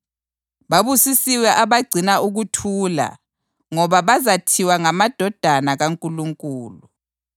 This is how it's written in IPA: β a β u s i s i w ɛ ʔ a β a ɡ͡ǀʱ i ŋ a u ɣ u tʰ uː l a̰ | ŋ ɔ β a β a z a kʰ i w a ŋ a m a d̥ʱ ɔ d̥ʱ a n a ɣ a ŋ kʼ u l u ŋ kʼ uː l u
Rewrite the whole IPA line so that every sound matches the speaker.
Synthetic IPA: β a β u s i s i w ɛ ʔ a β a ɡ͡ǀʱ i n a u ɣ u tʰ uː l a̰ | ŋ ɔ β a β a z a tʰ i w a ŋ a m a d̥ʱ ɔ d̥ʱ a n a ɣ a ŋ kʼ u l u ŋ kʼ uː l u